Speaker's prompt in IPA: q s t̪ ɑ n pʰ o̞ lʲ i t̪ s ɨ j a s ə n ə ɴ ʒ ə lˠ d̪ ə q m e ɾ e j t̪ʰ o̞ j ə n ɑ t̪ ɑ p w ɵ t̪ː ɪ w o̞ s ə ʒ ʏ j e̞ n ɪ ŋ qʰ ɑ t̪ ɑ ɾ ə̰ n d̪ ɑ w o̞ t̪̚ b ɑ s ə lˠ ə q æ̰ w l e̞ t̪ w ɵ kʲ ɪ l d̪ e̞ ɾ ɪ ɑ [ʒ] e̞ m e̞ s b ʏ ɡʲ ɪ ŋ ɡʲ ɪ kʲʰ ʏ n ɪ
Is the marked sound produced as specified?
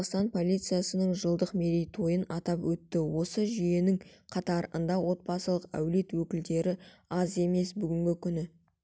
no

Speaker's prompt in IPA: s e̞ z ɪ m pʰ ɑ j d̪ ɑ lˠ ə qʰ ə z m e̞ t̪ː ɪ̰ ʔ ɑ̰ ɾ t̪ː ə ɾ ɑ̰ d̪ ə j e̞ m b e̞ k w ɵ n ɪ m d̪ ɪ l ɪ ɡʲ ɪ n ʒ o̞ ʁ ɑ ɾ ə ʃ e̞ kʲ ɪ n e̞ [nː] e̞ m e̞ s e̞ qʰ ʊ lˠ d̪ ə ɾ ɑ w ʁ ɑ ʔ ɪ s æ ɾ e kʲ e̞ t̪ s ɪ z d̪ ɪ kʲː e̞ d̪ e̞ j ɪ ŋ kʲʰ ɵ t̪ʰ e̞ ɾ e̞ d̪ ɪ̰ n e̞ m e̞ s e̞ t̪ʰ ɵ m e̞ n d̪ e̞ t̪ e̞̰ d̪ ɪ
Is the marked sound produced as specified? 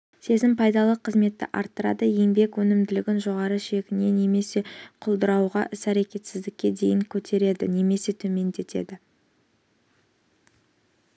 no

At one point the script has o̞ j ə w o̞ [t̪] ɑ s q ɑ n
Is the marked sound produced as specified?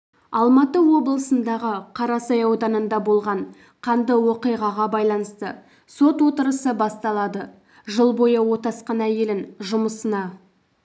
yes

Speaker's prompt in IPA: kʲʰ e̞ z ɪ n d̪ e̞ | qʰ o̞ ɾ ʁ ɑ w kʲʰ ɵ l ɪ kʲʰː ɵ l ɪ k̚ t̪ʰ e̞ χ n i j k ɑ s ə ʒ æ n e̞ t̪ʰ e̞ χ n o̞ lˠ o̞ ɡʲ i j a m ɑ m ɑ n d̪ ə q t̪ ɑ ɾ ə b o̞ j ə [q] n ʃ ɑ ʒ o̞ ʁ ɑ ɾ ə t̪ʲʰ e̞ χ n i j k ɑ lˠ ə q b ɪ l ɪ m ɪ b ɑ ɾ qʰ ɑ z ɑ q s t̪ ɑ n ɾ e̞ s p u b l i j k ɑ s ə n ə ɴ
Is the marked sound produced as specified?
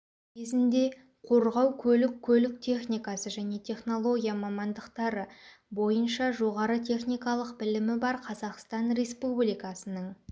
no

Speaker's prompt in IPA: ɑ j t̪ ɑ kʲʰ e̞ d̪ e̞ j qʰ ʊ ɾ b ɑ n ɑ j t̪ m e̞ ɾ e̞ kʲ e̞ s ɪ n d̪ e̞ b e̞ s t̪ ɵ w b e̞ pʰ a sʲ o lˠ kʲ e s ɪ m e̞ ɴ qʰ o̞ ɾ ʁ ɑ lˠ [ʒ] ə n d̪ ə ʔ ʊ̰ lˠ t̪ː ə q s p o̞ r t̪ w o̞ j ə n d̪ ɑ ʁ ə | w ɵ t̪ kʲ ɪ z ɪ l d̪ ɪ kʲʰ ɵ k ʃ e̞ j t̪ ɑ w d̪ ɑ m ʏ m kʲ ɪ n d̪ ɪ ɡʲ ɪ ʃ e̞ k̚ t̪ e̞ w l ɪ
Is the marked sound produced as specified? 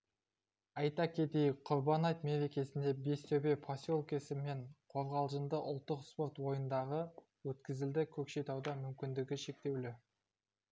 yes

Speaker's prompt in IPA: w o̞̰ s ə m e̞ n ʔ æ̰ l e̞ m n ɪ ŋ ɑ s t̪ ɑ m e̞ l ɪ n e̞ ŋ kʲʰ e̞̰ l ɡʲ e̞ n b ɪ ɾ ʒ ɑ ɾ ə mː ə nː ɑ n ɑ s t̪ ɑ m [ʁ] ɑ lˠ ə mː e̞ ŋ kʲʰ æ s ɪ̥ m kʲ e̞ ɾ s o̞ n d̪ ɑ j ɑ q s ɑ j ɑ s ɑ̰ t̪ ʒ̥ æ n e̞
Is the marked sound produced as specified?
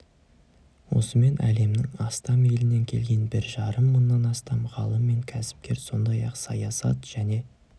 yes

